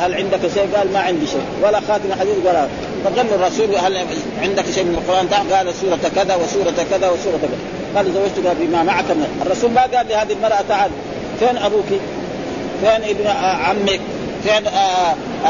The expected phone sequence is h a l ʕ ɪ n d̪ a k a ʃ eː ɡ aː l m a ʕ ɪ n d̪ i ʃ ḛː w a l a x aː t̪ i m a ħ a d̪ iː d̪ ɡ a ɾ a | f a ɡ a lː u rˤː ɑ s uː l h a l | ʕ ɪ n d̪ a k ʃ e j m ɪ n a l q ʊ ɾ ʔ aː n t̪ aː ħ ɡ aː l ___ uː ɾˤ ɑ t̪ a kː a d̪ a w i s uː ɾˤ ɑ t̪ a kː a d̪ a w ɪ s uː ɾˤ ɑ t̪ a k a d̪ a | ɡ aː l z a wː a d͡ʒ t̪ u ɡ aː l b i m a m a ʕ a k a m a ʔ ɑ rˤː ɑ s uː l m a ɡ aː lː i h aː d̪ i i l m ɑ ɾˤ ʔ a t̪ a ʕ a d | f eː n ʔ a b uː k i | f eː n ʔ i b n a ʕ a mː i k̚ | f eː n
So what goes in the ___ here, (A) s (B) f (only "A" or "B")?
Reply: A